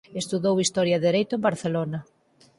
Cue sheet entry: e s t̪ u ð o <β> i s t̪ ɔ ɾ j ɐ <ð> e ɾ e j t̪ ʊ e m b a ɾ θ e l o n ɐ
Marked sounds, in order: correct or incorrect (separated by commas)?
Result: incorrect, correct